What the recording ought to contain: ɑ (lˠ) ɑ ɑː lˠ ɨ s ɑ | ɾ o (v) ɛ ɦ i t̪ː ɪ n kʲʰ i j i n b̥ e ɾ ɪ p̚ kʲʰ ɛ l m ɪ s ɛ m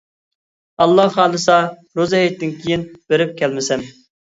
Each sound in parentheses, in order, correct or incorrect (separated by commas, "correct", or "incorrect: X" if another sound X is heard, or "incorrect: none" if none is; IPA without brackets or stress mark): incorrect: lˠː, incorrect: z